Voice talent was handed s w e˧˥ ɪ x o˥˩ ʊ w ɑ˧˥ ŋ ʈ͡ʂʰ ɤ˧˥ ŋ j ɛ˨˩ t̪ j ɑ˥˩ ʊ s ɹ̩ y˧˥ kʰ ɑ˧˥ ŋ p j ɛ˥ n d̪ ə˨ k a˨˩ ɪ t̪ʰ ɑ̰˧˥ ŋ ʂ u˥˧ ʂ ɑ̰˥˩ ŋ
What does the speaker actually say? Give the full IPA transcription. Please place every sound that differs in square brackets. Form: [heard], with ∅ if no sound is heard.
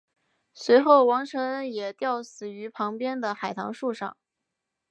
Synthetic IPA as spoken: s w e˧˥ ɪ x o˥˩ ʊ w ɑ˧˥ ŋ ʈ͡ʂʰ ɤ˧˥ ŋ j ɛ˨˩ t̪ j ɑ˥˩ ʊ s ɹ̩ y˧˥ [pʰ] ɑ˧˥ ŋ p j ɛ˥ n d̪ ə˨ [x] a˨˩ ɪ t̪ʰ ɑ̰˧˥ ŋ ʂ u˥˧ ʂ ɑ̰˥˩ ŋ